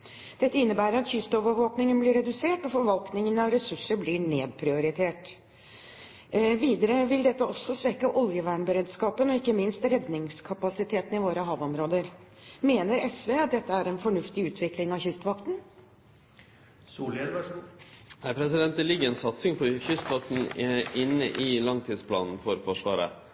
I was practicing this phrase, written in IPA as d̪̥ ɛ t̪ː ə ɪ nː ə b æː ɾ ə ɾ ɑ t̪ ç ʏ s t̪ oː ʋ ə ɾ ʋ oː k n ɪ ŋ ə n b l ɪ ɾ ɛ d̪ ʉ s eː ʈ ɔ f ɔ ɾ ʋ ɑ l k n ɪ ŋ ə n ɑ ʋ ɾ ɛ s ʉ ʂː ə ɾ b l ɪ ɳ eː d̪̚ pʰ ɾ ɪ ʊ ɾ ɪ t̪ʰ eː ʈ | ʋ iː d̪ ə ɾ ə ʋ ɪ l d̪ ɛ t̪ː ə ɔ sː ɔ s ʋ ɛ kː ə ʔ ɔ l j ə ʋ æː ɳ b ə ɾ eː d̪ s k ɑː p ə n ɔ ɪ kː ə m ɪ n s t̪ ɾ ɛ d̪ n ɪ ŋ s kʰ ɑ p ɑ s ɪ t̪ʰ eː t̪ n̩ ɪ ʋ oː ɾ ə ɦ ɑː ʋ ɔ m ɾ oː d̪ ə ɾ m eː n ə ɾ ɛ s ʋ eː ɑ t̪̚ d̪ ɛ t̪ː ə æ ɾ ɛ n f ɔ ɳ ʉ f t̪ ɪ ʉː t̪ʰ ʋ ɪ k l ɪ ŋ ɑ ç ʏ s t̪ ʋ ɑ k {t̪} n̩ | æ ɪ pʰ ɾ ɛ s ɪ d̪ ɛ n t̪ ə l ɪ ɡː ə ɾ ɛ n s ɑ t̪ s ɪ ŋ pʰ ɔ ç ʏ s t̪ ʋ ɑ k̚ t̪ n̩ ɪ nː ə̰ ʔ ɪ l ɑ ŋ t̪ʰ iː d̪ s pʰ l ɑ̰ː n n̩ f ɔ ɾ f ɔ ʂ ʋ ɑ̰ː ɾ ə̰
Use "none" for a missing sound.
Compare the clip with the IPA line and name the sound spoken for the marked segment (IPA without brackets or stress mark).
t̪